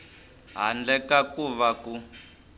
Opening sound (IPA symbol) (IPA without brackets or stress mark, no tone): ɦ